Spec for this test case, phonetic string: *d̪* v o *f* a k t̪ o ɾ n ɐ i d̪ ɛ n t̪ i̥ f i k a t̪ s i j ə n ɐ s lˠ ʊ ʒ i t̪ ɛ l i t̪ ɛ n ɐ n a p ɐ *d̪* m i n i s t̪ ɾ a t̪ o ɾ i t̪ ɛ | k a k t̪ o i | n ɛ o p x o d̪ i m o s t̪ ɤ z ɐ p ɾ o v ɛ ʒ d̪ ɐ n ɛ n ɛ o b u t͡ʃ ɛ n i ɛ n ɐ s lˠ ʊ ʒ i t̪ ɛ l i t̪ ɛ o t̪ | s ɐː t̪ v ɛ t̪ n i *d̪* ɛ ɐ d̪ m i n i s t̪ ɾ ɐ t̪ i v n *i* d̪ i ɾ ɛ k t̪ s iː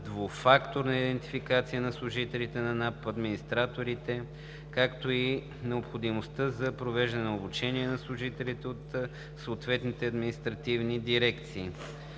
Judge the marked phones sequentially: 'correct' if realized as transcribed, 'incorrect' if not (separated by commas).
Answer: correct, correct, correct, incorrect, correct